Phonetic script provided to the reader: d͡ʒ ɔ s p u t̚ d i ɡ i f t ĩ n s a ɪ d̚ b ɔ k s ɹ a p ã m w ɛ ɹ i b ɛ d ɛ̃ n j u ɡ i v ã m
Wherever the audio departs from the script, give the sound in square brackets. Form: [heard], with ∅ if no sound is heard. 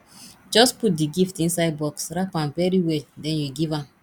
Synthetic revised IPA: d͡ʒ ɔ s p u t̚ d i ɡ i f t ĩ n s a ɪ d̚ b ɔ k s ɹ a p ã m [v] ɛ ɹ i [w] ɛ d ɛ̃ n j u ɡ i v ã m